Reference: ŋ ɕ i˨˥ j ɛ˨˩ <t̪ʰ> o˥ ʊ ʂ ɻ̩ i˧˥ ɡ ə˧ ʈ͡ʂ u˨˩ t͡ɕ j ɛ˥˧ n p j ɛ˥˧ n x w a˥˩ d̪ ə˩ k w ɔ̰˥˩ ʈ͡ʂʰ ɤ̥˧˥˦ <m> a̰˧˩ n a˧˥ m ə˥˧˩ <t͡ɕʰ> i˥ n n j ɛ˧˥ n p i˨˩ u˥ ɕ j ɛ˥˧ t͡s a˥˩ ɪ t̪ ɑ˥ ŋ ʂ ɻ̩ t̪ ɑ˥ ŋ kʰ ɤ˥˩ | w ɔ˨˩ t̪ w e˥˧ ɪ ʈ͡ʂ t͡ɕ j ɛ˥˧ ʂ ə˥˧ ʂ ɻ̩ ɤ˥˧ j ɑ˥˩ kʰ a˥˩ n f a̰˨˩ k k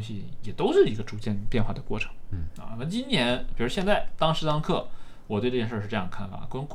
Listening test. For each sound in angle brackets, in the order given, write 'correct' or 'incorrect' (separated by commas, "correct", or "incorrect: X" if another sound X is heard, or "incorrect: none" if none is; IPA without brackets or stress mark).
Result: incorrect: t̪, incorrect: ŋ, incorrect: t͡ɕ